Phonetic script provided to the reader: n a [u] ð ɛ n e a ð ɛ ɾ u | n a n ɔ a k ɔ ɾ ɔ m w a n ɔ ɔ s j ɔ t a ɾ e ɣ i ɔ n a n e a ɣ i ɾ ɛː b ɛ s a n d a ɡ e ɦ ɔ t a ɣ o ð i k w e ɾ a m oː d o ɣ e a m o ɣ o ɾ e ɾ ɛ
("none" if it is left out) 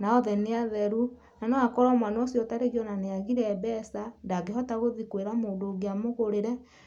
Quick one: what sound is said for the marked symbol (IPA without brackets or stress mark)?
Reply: ɔ